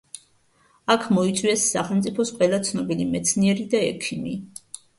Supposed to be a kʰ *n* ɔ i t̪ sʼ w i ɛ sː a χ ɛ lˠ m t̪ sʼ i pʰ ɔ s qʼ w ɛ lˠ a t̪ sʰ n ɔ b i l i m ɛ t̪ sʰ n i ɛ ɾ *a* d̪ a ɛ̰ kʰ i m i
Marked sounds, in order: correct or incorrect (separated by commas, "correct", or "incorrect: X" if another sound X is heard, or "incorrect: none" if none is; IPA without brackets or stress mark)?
incorrect: m, incorrect: i